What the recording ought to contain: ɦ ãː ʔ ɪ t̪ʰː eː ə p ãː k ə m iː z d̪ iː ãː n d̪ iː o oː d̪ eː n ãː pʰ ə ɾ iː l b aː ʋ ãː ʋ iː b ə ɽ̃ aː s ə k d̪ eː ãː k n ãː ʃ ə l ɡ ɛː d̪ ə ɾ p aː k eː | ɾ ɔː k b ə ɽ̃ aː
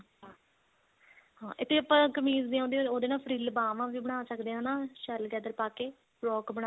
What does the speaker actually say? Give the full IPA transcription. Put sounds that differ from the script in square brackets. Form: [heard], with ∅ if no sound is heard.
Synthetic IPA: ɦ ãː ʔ ɪ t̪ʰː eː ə p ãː k ə m iː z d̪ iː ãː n d̪ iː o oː d̪ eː n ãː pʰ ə ɾ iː l b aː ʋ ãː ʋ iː b ə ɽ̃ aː s ə k d̪ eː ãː [∅] n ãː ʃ ə l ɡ ɛː d̪ ə ɾ p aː k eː | ɾ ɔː k b ə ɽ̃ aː